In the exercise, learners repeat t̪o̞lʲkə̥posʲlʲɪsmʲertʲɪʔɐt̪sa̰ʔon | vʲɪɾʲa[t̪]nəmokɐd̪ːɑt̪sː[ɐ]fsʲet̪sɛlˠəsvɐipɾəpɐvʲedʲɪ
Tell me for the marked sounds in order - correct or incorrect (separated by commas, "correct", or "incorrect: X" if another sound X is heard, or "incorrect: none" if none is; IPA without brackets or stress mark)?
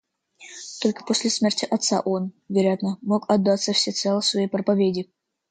correct, incorrect: ə